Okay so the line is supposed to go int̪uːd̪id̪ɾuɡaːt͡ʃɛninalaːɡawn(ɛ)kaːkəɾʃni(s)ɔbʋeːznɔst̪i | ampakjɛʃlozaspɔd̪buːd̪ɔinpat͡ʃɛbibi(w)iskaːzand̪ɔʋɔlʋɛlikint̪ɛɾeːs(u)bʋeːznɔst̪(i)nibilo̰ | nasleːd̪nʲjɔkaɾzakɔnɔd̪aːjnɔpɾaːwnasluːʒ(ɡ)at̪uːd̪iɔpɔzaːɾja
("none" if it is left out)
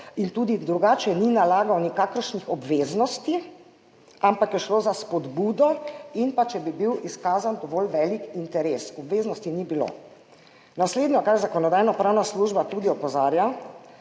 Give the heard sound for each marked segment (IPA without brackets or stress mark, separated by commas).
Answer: i, x, w, ɔ, i, b